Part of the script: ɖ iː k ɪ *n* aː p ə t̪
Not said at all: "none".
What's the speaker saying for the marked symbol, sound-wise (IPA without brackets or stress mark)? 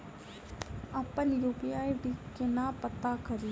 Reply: n